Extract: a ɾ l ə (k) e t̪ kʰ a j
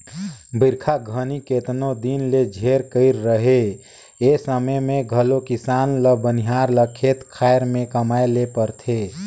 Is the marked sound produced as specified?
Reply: no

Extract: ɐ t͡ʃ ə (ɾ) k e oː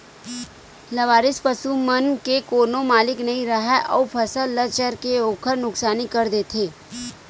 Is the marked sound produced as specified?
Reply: yes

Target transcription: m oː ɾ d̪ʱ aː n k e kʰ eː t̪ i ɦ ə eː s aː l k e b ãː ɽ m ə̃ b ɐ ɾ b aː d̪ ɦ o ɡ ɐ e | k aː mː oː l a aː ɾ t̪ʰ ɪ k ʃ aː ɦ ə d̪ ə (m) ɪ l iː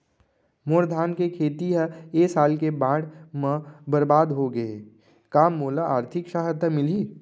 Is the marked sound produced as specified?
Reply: yes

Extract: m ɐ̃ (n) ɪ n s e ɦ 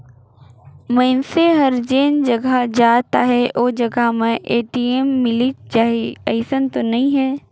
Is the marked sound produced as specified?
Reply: no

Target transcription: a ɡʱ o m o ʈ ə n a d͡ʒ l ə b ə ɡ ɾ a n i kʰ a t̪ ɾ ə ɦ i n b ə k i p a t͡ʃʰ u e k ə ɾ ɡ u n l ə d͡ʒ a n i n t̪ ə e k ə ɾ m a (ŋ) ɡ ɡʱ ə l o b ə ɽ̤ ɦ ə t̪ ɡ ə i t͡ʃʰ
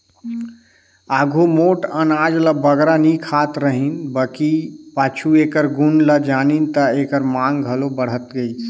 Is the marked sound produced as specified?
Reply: yes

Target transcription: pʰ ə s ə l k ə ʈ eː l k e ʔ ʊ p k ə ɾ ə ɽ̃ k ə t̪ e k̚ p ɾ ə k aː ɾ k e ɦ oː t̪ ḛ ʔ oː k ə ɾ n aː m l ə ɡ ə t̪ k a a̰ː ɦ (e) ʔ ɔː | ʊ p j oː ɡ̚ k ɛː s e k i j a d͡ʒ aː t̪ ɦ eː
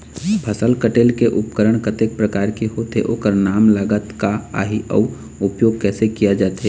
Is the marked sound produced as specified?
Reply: no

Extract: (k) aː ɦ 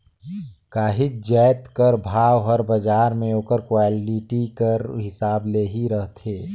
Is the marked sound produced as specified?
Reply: yes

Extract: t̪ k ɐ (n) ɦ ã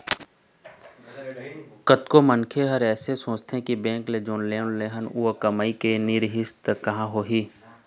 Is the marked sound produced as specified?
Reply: no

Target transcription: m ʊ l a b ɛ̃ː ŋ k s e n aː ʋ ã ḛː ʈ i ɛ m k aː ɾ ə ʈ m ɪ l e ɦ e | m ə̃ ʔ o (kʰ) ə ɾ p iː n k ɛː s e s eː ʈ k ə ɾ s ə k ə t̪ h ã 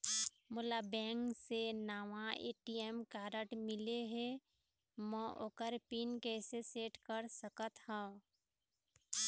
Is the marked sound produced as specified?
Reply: no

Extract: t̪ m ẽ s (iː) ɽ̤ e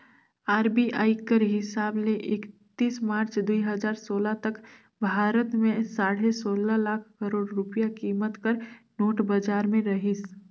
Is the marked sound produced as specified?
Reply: no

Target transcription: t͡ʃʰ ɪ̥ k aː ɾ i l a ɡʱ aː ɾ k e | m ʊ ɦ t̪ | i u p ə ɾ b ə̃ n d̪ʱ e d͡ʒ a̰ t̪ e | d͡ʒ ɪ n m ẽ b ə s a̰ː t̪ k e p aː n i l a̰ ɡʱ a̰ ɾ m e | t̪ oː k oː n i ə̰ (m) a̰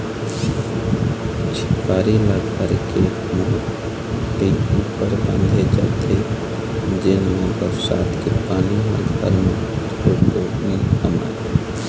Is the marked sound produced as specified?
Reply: yes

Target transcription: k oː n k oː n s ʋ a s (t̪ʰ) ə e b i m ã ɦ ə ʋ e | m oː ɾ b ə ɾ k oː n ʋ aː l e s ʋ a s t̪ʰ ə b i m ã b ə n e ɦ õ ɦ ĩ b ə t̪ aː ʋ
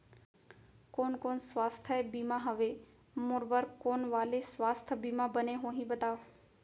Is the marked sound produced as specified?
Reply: yes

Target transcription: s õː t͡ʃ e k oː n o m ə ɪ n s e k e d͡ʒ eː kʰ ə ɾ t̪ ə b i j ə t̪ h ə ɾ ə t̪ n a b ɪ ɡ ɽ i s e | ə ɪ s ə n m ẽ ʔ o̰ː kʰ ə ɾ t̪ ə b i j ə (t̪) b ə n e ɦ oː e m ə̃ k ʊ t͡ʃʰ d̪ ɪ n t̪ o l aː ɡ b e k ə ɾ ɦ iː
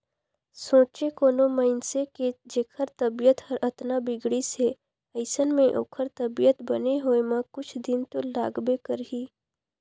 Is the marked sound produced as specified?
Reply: yes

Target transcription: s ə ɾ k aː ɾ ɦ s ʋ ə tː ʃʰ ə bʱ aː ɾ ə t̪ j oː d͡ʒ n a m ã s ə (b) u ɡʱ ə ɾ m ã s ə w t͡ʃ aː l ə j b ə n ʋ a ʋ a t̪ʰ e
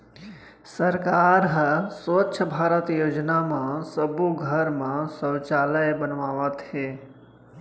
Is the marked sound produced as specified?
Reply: yes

